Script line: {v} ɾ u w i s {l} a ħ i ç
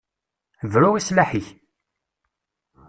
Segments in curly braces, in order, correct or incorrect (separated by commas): correct, correct